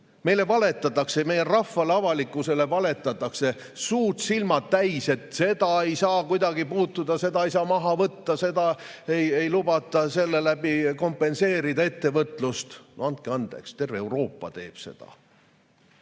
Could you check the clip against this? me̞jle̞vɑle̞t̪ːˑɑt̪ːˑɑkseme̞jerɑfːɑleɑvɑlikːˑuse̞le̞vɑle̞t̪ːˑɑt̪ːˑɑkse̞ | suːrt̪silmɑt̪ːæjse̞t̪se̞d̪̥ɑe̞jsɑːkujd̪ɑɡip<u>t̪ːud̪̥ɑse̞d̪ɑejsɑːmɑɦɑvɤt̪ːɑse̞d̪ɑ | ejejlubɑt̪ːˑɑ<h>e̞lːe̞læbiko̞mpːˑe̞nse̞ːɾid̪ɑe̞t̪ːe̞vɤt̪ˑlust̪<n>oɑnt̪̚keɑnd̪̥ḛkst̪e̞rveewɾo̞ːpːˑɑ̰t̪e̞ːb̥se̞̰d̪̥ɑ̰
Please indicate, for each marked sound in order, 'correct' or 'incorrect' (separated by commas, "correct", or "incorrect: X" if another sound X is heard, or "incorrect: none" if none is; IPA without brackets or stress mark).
incorrect: uː, incorrect: s, correct